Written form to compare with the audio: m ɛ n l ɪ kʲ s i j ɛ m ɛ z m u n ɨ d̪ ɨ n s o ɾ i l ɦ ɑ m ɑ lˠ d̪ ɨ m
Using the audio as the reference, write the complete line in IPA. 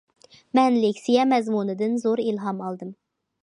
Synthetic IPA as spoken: m ɛ n l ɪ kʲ s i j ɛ m ɛ z m u n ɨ d̪ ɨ n z o ɾ i l ɦ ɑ m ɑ lˠ d̪ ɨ m